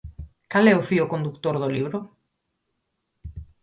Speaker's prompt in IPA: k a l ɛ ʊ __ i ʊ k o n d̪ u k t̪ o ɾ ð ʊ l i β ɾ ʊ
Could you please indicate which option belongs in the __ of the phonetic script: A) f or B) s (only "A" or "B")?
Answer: A